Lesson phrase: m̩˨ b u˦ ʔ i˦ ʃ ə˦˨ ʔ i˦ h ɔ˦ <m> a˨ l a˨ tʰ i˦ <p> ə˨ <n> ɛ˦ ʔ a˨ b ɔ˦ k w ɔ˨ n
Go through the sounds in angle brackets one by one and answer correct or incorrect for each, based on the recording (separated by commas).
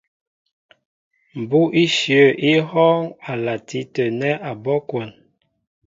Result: incorrect, incorrect, correct